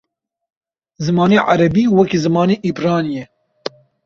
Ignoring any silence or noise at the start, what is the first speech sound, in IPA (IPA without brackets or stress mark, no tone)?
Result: z